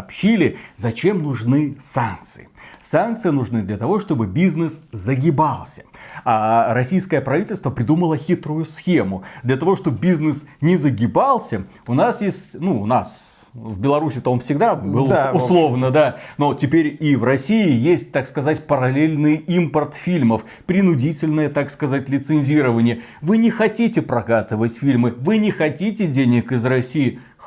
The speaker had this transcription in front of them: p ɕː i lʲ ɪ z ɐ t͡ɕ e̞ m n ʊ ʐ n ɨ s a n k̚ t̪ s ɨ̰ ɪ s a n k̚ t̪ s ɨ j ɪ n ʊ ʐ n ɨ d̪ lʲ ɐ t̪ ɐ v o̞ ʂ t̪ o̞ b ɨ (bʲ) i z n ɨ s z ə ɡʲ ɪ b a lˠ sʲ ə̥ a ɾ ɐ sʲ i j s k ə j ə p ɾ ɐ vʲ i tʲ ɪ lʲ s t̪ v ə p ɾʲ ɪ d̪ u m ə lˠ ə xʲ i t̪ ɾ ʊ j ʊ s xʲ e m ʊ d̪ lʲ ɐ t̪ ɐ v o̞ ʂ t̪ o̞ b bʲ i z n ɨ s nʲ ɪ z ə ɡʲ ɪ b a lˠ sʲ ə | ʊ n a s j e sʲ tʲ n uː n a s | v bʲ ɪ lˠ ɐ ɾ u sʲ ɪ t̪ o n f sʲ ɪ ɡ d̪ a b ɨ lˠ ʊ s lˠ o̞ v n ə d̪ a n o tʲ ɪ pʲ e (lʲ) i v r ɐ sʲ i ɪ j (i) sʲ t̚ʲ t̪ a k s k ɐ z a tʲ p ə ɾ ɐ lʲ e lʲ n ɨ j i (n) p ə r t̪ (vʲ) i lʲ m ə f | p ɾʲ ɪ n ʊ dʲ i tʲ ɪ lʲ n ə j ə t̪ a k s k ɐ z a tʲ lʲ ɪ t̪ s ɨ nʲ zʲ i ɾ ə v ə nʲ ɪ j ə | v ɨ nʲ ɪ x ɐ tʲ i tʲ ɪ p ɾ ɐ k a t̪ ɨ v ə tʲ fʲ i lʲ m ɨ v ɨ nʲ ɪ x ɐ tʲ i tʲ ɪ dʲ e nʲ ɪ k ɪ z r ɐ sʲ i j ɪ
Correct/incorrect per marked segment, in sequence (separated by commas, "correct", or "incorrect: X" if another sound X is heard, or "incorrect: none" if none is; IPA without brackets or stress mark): correct, incorrect: ɾʲ, incorrect: e, incorrect: m, incorrect: fʲ